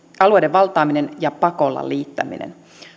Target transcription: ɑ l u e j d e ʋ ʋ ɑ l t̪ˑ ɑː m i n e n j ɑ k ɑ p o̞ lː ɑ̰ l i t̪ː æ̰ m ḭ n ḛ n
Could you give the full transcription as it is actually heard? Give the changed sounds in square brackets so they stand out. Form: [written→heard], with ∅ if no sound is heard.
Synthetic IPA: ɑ l u e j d e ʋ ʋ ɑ l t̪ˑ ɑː m i n e n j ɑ [k→p] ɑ [p→k] o̞ lː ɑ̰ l [i→iː] t̪ː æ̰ m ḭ n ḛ n